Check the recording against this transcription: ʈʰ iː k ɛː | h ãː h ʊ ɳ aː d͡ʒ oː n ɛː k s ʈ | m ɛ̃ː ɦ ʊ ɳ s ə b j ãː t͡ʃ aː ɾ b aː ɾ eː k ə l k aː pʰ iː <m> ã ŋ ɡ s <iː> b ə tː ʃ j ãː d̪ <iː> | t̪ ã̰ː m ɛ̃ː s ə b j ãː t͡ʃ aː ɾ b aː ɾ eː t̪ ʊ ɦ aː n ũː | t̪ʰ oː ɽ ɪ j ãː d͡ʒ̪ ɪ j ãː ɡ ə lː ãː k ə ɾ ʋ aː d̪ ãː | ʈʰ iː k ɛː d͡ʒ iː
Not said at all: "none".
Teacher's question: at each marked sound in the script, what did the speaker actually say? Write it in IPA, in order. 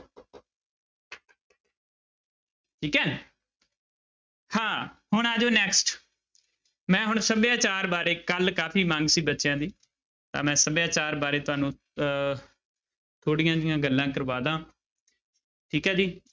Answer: m, iː, iː

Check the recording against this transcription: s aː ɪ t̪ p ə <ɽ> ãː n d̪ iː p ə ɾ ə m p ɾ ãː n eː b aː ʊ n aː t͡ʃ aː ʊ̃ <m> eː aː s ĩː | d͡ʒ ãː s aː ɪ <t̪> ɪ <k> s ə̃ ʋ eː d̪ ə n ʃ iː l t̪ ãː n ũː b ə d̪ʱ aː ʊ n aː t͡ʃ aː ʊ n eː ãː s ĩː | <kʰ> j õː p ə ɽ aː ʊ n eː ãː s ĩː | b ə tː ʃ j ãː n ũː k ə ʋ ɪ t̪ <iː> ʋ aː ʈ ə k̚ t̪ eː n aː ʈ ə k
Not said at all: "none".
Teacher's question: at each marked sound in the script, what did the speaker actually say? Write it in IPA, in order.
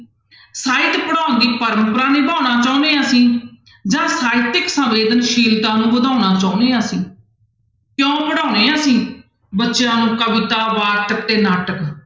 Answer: ɽ, n, t̪, k, k, aː

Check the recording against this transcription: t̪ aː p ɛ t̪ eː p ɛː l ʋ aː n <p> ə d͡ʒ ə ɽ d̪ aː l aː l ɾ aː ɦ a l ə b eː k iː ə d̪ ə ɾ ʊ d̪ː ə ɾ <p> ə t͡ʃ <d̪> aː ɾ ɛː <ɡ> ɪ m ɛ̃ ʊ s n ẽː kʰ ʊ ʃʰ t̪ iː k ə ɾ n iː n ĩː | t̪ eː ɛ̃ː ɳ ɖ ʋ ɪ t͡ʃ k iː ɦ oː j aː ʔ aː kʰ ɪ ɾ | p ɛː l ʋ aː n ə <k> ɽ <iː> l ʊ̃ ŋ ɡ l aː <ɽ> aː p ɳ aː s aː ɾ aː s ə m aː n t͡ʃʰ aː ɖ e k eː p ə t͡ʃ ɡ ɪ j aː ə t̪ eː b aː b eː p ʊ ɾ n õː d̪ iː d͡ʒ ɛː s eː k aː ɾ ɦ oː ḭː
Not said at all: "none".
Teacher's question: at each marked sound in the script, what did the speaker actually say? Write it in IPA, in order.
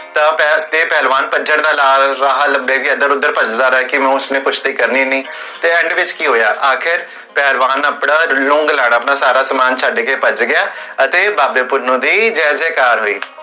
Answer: p, p, d̪, k, p, aː, ɽ

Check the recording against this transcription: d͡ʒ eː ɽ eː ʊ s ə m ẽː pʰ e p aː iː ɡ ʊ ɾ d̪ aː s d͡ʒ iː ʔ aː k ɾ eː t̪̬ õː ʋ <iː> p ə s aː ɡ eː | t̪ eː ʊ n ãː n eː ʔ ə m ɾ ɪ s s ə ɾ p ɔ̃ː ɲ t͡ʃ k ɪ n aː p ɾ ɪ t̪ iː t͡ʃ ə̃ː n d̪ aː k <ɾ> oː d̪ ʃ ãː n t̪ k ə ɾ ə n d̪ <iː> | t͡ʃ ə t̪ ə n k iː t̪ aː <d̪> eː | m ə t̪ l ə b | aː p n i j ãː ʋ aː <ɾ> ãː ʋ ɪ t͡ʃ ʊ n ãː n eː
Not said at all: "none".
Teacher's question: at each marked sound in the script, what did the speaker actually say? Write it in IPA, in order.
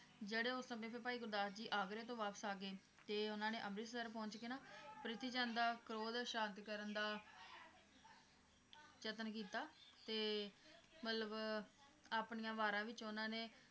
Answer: aː, ɾ, aː, t̪, ɾ

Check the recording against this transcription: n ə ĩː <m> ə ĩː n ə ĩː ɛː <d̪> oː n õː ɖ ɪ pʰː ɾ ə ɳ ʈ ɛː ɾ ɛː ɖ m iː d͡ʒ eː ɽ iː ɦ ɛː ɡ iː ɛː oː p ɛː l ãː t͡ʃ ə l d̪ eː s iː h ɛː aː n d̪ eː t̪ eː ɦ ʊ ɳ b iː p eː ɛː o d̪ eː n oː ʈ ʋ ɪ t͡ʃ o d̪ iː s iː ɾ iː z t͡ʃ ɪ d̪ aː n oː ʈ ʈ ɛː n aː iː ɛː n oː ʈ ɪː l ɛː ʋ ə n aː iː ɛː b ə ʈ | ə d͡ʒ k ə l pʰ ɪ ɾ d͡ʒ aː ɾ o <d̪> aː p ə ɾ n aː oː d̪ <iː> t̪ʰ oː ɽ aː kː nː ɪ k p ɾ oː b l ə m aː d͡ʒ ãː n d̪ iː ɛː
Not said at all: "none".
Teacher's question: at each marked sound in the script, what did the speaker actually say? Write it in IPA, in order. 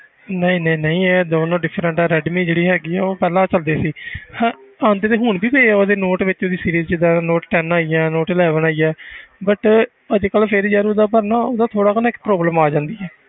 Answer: n, d̪, d̪, aː

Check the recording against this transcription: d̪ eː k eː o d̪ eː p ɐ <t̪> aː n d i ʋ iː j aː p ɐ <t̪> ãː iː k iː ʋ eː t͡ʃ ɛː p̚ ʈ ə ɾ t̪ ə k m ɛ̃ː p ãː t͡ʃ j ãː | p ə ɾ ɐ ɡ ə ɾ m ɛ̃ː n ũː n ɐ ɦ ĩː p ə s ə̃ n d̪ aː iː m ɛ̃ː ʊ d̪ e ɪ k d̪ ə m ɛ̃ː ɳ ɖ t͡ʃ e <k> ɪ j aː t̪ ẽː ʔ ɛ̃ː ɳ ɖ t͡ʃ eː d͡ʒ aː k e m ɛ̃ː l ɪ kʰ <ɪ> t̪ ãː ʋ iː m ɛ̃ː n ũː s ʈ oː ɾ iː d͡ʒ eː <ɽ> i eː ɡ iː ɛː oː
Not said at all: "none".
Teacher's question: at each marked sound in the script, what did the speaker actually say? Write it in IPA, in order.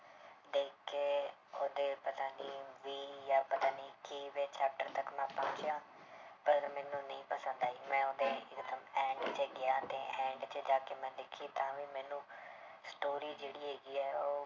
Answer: t̪, t̪, ɡ, i, ɽ

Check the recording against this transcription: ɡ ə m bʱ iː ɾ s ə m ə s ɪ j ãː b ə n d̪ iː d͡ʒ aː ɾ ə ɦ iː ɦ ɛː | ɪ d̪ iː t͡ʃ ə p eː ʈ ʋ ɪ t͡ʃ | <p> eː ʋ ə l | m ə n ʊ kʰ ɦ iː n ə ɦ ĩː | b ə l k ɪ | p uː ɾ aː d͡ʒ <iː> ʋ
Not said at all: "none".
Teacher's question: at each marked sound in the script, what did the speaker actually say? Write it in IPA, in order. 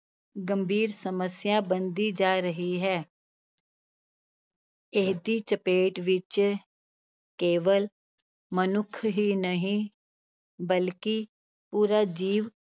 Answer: k, iː

